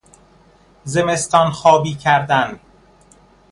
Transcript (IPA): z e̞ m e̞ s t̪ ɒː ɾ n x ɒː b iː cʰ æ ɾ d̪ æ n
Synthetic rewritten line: z e̞ m e̞ s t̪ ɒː n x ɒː b iː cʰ æ ɾ d̪ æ n